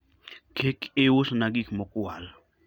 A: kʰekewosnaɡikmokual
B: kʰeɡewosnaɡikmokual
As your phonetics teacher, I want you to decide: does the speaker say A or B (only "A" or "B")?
A